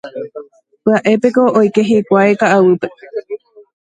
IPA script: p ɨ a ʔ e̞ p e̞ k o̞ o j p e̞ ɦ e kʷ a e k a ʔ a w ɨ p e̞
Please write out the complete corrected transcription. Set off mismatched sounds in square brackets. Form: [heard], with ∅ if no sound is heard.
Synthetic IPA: p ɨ a ʔ e̞ p e̞ k o̞ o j [k] e̞ ɦ e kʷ a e k a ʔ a w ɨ p e̞